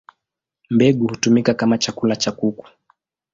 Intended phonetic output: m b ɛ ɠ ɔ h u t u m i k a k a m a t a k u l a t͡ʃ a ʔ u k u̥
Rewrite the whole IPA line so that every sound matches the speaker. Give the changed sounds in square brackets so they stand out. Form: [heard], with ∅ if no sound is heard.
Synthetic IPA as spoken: m b ɛ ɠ [u] h u t u m i k a k a m a [t͡ʃ] a k u l a t͡ʃ a [k] u k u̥

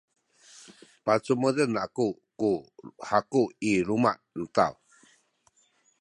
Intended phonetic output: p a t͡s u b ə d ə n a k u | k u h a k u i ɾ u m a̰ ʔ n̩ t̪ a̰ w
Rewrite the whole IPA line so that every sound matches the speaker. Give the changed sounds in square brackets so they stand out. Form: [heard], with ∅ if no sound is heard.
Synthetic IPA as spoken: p a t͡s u [m] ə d ə n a k u | k u h a k u i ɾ u m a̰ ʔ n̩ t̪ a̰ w

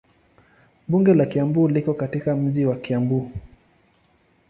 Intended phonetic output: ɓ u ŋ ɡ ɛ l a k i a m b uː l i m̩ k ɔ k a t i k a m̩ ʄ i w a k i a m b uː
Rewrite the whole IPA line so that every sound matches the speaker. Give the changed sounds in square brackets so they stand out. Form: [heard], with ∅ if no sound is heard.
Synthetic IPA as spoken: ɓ u ŋ ɡ ɛ l a k i a m b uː l i [∅] k ɔ k a t i k a m̩ ʄ i w a k i a m b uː

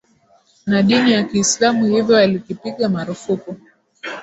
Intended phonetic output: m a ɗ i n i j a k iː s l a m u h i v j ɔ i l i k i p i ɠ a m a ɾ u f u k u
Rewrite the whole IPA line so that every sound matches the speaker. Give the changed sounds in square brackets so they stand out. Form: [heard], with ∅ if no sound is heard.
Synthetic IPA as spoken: [n] a ɗ i n i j a k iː s l a m u h i v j ɔ [a] l i k i p i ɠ a m a ɾ u f u k u

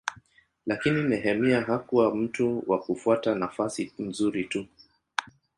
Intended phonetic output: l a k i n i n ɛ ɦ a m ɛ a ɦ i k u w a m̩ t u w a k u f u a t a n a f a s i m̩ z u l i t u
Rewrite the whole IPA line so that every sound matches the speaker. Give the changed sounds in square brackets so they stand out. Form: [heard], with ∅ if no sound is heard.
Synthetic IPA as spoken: l a k i n i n ɛ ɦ [ɛ] m [i] a ɦ [a] k u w a m̩ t u w a k u f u a t a n a f a s i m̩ z u [ɾ] i t u

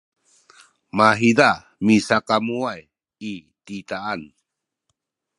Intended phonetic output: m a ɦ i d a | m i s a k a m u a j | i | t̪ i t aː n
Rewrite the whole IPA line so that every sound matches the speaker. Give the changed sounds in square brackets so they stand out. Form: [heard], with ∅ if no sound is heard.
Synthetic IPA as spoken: m a ɦ i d a | m i s a k a m u a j | i | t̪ i t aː n

